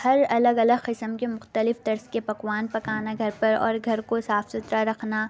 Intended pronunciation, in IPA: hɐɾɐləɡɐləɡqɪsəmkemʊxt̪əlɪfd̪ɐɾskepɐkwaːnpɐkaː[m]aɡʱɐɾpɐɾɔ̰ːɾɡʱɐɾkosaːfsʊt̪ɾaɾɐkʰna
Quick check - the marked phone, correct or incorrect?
incorrect: n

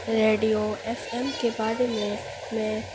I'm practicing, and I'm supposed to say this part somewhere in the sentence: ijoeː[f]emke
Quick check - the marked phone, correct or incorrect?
correct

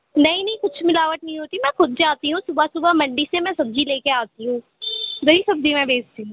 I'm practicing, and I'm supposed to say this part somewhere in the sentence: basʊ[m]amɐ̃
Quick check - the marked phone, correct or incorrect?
incorrect: b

